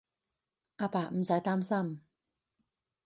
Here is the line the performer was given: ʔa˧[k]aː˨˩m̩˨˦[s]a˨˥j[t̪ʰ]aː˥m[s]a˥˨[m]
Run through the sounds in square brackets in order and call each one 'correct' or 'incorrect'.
incorrect, correct, incorrect, correct, correct

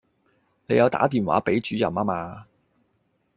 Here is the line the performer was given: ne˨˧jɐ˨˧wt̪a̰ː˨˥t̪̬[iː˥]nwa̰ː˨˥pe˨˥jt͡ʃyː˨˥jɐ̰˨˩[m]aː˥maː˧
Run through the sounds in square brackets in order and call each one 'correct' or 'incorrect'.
incorrect, correct

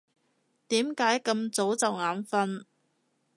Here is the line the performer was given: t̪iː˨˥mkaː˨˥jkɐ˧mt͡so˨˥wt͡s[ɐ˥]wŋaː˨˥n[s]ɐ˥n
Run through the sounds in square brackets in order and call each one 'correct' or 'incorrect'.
incorrect, incorrect

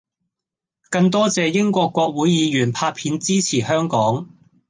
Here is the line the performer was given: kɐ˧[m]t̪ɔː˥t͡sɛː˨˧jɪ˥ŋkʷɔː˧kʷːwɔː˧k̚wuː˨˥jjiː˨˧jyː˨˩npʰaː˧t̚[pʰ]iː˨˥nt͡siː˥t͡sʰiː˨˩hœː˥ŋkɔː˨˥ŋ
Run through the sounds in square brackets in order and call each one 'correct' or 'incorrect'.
incorrect, correct

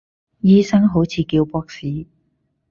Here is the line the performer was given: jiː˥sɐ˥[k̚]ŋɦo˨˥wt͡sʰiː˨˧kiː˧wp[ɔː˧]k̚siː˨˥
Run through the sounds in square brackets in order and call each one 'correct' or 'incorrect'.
incorrect, incorrect

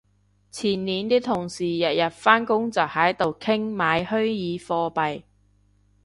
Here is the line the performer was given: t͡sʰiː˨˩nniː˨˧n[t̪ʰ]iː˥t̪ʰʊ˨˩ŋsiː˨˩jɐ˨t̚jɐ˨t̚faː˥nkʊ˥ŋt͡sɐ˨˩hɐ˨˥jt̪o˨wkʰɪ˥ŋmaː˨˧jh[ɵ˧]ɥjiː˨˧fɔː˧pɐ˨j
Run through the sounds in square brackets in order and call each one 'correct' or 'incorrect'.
incorrect, incorrect

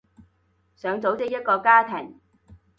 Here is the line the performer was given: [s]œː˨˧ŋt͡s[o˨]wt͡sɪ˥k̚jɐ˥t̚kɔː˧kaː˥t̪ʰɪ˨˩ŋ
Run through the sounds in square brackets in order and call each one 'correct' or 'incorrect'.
correct, incorrect

